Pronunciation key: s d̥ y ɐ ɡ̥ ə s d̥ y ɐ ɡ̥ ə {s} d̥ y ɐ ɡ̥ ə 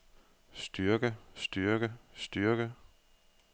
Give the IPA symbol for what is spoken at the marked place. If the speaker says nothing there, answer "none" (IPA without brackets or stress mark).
s